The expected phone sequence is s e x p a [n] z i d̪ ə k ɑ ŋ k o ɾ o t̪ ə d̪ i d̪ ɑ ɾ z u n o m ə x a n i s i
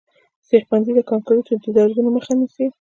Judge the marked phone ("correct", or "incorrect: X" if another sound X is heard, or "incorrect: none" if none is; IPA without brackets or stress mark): correct